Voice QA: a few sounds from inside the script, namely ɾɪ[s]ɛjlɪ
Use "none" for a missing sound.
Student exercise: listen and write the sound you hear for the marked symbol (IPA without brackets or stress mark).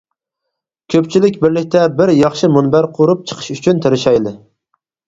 ʃ